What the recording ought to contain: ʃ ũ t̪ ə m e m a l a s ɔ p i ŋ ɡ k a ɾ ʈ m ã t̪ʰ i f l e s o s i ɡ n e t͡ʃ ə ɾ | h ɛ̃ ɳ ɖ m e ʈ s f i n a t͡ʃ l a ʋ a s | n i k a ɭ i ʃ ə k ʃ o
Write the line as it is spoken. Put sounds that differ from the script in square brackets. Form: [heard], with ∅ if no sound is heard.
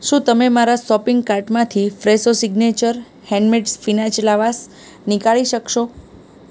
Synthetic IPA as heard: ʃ ũ t̪ ə m e m a [ɾ] a s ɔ p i ŋ ɡ k a ɾ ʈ m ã t̪ʰ i f [ɾ] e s o s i ɡ n e t͡ʃ ə ɾ | h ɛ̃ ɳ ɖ m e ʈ s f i n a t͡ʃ l a ʋ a s | n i k a ɭ i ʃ ə k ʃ o